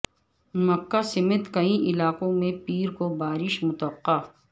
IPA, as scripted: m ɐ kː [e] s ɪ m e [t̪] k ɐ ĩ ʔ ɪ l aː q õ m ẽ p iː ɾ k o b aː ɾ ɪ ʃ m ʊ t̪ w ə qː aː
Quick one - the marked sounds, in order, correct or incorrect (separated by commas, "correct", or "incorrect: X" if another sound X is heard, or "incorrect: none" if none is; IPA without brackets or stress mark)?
incorrect: a, correct